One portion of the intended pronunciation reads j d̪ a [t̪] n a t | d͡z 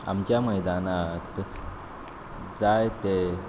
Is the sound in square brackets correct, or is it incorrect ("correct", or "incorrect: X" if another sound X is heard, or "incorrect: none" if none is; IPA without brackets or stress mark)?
incorrect: none